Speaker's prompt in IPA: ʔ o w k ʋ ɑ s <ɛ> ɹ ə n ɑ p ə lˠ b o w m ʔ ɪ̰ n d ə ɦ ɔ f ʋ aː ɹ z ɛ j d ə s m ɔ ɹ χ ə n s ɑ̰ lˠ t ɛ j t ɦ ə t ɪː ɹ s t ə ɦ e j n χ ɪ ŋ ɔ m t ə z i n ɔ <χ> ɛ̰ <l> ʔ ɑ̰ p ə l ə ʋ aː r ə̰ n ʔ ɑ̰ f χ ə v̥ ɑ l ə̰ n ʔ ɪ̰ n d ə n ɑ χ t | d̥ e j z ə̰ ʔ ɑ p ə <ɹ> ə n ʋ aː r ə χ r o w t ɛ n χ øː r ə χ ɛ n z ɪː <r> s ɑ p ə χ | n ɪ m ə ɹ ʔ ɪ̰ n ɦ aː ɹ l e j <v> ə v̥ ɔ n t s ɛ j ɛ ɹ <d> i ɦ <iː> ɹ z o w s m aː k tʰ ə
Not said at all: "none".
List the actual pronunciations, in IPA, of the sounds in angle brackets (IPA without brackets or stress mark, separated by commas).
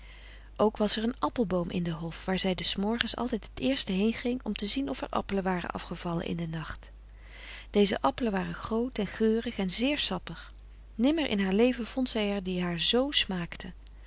ɛ, f, ɹ, l, ɹ, v, d, aː